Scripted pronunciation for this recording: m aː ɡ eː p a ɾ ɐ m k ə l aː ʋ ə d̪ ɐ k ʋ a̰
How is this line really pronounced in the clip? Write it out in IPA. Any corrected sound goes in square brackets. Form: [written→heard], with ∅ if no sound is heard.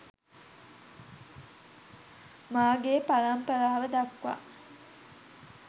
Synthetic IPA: m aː ɡ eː p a [ɾ→l] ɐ m [k→p] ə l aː ʋ ə d̪ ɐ k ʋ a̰